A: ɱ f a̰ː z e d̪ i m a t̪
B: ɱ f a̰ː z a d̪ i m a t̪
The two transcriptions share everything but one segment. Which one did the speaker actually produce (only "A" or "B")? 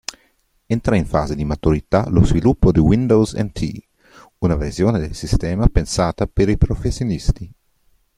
A